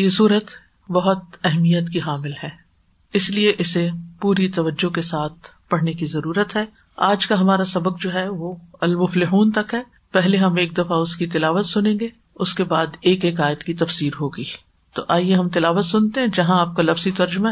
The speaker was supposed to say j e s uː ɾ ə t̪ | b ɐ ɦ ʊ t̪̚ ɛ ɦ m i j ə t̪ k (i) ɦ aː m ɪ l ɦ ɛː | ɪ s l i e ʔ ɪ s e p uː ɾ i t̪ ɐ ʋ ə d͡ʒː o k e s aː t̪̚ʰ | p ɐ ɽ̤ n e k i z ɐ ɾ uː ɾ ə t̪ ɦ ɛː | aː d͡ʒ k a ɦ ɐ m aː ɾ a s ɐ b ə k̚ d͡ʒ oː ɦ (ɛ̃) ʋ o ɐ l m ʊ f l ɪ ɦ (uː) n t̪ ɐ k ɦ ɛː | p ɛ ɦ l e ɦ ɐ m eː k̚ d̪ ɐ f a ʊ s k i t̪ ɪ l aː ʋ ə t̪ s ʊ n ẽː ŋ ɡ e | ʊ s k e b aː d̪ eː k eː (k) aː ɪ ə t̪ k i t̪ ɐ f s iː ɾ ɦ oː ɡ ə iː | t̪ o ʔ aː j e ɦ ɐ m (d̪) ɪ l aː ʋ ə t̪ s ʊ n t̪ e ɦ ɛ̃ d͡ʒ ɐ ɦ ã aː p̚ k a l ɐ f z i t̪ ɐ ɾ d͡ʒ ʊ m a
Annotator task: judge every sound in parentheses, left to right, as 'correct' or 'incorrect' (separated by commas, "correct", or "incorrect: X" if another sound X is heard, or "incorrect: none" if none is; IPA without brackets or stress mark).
correct, incorrect: ɛ, correct, correct, incorrect: t̪